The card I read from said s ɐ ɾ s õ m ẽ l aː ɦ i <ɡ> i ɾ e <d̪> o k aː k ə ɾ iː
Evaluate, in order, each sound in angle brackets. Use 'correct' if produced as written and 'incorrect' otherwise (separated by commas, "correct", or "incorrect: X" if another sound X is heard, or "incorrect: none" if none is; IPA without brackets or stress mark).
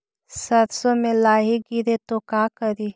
correct, incorrect: t̪